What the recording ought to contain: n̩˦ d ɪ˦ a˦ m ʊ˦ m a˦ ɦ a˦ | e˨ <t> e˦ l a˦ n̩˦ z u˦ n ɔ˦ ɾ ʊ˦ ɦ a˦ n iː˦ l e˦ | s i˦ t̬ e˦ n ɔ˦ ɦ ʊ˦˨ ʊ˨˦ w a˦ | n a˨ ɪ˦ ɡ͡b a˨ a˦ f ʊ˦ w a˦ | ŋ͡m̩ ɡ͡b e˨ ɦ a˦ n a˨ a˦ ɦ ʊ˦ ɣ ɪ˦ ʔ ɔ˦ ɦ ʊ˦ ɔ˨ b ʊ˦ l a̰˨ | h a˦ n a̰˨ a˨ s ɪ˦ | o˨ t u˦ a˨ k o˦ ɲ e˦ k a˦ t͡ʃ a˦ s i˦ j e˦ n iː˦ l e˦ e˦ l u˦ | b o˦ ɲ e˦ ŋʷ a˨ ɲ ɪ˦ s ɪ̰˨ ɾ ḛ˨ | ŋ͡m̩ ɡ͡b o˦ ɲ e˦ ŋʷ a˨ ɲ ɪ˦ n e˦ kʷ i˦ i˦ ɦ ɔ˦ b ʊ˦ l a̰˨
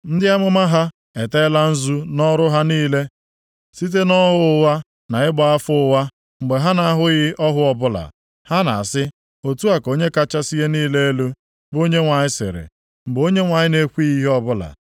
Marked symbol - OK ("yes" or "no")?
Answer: yes